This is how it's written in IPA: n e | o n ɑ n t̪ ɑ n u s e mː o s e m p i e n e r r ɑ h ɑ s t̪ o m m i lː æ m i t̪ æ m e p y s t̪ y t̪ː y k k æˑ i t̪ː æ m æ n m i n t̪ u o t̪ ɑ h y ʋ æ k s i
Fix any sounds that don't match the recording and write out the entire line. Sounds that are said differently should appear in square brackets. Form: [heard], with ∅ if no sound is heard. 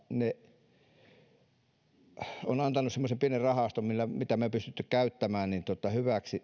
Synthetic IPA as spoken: n e | o n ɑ n t̪ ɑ n u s e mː o s e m p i e n e r r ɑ h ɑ s t̪ o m m i lː æ m i t̪ æ m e p y s t̪ y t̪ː y k k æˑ [y] t̪ː æ m [æː] n [n] i n t̪ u o t̪ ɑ h y ʋ æ k s i